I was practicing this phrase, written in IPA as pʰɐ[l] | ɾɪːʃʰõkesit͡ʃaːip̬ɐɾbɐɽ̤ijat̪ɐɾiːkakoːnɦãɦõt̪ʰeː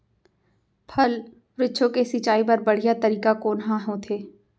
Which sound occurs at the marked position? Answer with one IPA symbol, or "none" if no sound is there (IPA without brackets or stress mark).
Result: l